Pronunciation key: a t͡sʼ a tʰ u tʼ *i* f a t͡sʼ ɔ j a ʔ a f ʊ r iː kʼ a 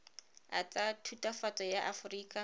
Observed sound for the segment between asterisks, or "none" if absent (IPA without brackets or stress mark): a